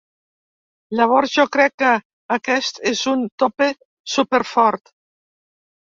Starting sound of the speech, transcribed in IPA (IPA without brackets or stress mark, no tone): l